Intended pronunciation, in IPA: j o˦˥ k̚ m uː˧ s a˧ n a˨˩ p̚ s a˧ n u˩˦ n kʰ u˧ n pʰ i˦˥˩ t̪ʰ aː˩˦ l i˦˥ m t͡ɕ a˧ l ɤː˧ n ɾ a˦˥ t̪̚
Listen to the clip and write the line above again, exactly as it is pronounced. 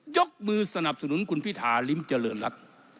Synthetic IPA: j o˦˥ k̚ m ɯː˧ s a˧ n a˨˩ p̚ s a˧ n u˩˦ n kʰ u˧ n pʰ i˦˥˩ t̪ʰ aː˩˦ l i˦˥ m t͡ɕ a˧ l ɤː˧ n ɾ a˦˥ t̪̚